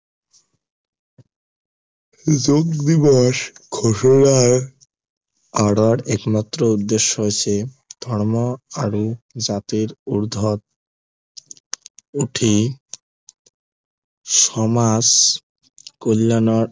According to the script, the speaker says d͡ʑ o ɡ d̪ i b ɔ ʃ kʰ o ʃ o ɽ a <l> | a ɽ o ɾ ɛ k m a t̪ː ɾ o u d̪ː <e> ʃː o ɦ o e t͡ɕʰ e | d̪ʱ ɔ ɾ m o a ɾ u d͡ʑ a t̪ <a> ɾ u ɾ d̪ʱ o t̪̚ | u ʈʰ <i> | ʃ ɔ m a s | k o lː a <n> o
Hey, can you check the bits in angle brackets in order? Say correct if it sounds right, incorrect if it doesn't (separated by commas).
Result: incorrect, correct, incorrect, correct, correct